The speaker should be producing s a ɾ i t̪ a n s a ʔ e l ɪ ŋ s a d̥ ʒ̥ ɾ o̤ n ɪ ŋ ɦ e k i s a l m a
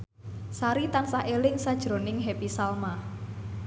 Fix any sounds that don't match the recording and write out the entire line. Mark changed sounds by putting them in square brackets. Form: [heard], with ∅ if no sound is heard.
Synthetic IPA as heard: s a ɾ i t̪ a n s a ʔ e l ɪ ŋ s a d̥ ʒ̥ ɾ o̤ n ɪ ŋ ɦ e [p] i s a l m a